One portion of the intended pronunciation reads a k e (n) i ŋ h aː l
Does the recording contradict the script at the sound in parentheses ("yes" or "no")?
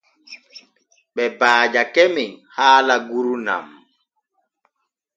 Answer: yes